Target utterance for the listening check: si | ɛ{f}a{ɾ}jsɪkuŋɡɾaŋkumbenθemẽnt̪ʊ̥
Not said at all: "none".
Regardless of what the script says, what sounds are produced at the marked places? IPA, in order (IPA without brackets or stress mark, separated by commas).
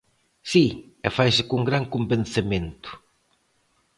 f, none